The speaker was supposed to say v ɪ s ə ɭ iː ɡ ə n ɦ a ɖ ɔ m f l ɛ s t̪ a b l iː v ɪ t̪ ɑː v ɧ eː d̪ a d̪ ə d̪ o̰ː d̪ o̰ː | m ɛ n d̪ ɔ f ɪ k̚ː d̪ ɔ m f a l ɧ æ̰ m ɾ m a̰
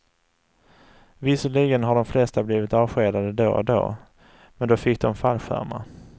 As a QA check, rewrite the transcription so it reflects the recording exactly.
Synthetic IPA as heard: v ɪ s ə ɭ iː ɡ ə n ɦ a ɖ ɔ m f l ɛ s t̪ a b l iː v ɪ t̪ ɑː v ɧ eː d̪ a d̪ ə d̪ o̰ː d̪ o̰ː | m ɛ n d̪ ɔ f ɪ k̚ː d̪ ɔ m f a l ɧ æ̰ ɾ m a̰